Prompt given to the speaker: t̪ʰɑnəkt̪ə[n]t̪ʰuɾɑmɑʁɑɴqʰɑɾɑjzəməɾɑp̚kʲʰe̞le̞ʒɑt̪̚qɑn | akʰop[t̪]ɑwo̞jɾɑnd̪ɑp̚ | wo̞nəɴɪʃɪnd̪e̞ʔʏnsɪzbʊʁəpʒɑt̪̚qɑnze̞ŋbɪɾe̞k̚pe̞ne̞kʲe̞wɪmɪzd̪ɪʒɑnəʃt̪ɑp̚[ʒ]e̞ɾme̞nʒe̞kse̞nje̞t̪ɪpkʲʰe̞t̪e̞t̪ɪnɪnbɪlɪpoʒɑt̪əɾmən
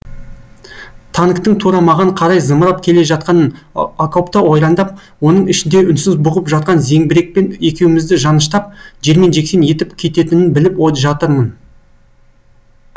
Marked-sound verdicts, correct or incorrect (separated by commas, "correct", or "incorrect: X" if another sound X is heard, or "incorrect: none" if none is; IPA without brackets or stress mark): incorrect: ɴ, correct, correct